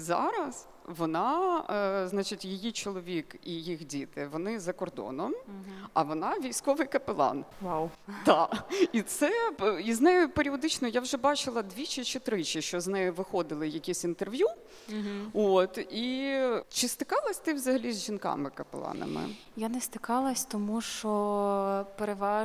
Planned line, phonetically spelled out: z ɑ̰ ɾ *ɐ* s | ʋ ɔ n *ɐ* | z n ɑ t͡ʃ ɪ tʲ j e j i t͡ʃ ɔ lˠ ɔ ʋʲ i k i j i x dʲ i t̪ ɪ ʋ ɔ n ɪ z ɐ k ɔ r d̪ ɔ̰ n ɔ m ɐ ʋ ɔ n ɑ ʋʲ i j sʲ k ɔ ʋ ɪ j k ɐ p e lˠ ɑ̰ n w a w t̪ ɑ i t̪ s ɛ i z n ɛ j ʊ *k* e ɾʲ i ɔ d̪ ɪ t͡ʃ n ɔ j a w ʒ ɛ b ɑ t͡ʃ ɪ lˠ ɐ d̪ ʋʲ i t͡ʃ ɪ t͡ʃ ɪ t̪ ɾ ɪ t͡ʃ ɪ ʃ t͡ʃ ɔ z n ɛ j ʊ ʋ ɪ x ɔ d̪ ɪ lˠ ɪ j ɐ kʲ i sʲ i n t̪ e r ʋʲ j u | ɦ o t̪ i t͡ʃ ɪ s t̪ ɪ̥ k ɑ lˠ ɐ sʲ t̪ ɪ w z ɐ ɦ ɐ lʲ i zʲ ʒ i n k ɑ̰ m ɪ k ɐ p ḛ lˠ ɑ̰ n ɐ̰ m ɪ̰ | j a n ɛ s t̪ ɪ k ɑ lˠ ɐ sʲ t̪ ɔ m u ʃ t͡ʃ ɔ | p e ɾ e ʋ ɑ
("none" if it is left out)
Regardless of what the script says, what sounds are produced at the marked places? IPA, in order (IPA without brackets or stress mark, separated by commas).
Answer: ɐ, ɑ, p